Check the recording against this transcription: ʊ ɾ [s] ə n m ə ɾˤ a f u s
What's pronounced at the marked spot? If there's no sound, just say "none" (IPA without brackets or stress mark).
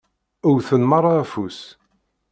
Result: θ